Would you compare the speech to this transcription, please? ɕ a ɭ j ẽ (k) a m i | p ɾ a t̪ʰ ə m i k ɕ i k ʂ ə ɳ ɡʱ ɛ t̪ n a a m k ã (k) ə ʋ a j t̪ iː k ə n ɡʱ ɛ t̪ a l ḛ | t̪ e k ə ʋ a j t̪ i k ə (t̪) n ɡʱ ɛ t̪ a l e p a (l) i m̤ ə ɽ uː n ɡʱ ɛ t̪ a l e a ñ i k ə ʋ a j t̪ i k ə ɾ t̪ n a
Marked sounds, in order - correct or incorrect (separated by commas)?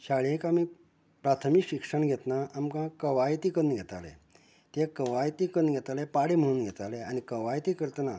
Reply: correct, correct, incorrect, incorrect